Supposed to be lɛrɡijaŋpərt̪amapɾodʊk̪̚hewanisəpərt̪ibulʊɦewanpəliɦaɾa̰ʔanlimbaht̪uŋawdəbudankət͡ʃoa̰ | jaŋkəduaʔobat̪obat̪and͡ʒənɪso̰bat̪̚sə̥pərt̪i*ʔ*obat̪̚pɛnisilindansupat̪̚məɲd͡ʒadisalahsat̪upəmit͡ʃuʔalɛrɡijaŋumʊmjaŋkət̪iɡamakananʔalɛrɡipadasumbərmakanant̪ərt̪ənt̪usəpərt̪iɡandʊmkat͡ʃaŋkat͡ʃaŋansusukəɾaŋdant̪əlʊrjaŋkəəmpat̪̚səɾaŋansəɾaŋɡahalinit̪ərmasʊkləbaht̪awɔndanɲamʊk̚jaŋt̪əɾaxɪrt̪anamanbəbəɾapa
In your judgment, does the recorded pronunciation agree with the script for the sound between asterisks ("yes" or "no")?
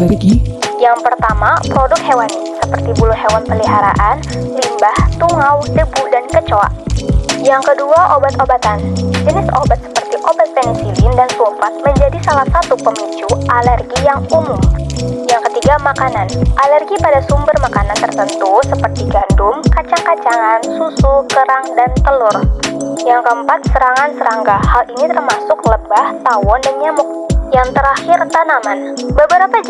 yes